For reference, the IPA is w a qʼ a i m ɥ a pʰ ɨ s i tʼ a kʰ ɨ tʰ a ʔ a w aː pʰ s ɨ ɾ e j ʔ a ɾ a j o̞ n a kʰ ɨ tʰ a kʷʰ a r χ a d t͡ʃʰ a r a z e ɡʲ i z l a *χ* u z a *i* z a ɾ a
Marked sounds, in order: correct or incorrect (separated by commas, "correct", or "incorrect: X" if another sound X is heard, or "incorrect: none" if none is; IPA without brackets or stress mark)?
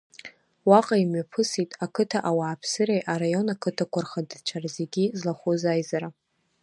correct, incorrect: j